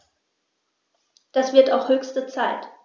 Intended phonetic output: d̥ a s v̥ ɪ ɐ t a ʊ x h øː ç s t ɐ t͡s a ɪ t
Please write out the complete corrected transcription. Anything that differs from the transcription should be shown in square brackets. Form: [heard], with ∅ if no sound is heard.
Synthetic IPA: d̥ a s v̥ ɪ ɐ t a ʊ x h øː ç s t [ə] t͡s a ɪ t